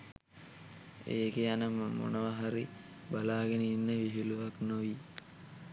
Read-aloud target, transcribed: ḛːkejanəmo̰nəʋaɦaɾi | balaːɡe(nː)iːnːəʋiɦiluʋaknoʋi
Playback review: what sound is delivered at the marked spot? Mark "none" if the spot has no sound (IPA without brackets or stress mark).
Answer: n